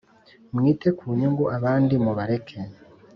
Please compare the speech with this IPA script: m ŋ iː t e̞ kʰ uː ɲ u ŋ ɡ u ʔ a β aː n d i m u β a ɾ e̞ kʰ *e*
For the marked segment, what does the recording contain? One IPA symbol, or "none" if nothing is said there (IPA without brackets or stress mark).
e